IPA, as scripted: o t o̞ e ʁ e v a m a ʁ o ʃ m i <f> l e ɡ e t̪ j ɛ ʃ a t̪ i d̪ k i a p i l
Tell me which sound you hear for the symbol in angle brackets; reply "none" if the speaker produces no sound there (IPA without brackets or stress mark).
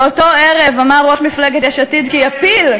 f